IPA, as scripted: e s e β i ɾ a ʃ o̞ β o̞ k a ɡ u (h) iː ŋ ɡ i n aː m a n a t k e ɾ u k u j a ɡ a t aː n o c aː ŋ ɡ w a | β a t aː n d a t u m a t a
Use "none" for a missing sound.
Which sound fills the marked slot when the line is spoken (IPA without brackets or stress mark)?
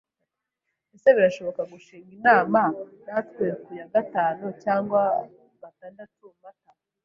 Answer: ʃ